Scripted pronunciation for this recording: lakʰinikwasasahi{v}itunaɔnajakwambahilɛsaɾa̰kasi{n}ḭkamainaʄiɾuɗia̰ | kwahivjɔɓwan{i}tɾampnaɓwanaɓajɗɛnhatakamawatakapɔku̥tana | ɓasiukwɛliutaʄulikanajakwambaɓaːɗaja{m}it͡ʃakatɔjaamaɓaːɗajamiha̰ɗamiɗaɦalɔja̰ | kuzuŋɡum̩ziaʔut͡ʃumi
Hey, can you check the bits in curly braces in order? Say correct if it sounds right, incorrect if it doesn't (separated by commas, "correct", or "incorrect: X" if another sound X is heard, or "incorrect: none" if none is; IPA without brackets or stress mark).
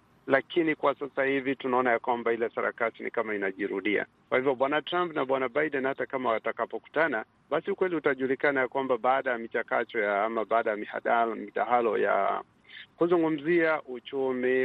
correct, correct, incorrect: a, correct